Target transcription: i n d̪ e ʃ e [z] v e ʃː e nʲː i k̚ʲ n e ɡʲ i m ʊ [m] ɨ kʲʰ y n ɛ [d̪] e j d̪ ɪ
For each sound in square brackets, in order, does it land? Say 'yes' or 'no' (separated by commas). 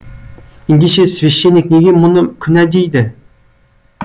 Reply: no, no, yes